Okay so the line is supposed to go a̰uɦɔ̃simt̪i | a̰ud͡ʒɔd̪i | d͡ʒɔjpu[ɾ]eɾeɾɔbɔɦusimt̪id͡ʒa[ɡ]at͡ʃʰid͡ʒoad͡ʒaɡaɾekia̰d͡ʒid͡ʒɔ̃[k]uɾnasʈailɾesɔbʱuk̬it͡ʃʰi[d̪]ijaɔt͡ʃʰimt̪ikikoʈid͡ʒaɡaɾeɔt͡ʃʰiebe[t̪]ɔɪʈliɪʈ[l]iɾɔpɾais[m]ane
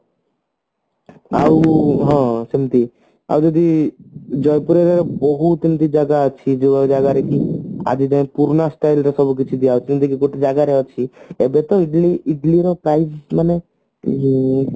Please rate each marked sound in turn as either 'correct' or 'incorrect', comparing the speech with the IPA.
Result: correct, correct, incorrect: p, correct, correct, correct, correct

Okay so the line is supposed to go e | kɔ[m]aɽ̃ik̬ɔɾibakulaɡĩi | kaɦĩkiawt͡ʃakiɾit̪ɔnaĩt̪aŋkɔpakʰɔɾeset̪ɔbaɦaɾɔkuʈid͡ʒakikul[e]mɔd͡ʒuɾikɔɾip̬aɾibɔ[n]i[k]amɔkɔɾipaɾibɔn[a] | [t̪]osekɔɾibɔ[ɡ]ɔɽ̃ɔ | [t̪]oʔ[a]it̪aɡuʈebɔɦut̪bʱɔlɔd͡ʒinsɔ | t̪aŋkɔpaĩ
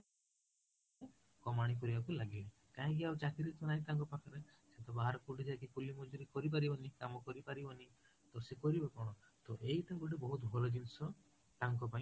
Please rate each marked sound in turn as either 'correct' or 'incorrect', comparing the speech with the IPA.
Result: correct, incorrect: i, correct, correct, incorrect: i, correct, incorrect: k, correct, incorrect: e

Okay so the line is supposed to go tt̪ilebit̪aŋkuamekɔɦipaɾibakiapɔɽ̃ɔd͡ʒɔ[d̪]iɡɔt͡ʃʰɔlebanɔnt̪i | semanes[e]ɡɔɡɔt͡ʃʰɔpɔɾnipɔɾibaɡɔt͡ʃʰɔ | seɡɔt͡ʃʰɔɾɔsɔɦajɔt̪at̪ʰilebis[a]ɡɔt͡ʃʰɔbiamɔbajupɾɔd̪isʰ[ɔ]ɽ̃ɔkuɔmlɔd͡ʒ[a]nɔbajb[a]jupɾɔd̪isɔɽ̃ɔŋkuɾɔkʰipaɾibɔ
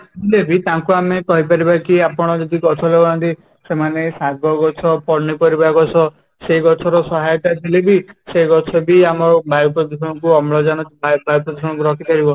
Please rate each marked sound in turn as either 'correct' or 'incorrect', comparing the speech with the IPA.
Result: correct, incorrect: a, incorrect: e, correct, correct, correct

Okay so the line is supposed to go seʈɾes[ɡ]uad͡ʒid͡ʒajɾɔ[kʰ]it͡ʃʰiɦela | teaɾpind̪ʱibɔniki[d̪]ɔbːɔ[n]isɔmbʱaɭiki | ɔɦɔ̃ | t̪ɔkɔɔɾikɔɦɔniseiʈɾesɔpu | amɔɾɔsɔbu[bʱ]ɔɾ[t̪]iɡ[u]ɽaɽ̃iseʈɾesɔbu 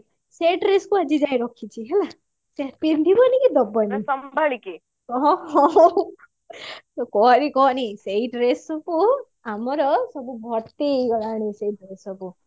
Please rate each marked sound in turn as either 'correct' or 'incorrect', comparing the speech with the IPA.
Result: incorrect: k, correct, correct, correct, correct, correct, incorrect: ɔ

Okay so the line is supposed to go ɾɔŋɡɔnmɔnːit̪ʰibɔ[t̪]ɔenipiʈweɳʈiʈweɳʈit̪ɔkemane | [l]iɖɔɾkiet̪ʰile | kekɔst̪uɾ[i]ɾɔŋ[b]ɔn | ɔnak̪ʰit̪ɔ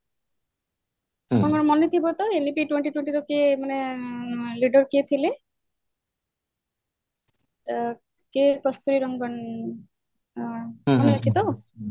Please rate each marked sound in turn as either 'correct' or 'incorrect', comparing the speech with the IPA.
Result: correct, correct, correct, incorrect: ɡ

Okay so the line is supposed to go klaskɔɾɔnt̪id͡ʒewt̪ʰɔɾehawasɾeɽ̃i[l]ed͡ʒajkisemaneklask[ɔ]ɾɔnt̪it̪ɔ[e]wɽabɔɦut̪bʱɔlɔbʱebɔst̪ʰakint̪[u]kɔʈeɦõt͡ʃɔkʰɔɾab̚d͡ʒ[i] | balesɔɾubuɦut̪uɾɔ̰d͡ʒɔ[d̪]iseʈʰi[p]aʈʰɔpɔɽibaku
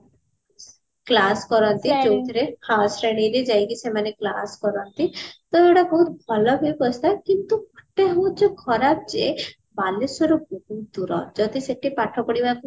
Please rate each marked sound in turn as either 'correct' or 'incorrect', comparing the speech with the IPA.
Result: incorrect: ɾ, correct, correct, correct, incorrect: e, correct, correct

